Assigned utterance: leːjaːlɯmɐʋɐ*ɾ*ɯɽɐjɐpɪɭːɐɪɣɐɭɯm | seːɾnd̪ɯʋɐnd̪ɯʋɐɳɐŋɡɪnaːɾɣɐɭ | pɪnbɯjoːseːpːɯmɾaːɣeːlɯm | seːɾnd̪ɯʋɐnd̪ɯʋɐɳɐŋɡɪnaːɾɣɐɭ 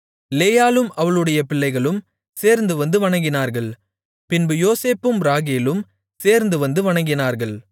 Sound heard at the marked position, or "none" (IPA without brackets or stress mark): ɭ